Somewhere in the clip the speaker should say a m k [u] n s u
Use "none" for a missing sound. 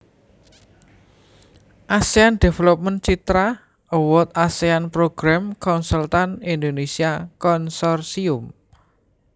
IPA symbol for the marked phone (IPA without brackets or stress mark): ɔ